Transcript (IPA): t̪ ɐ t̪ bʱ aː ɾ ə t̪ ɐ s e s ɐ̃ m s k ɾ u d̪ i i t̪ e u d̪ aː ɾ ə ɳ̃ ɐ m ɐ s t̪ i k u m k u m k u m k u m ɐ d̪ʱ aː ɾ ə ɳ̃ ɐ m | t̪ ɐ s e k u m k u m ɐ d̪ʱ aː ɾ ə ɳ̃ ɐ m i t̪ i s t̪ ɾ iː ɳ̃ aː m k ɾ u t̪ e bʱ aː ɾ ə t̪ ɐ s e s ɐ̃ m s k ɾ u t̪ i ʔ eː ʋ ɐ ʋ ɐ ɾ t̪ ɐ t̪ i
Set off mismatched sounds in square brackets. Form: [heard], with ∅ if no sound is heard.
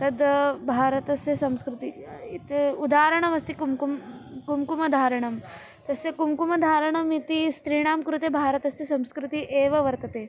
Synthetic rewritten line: t̪ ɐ [d̪] bʱ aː ɾ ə t̪ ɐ s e s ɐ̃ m s k ɾ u [t̪] i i t̪ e u d̪ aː ɾ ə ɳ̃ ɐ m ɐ s t̪ i k u m k u m k u m k u m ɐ d̪ʱ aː ɾ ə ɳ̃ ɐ m | t̪ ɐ s e k u m k u m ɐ d̪ʱ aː ɾ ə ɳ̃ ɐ m i t̪ i s t̪ ɾ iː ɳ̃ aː m k ɾ u t̪ e bʱ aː ɾ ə t̪ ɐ s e s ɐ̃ m s k ɾ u t̪ i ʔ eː ʋ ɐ ʋ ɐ ɾ t̪ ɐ t̪ [e]